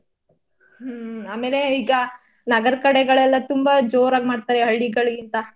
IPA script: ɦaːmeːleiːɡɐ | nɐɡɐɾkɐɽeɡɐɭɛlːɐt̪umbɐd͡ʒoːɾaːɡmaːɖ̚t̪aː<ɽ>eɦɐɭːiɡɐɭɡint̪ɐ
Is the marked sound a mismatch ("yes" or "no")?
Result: yes